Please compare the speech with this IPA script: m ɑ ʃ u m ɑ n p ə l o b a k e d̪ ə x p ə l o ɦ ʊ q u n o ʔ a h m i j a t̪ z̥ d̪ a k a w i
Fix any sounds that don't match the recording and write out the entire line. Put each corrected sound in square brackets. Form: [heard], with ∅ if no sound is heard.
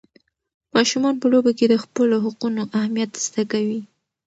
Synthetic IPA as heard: m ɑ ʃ u m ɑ n p ə l o b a k e d̪ ə x p ə l o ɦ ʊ q u n o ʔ a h m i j a t̪ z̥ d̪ a k a w i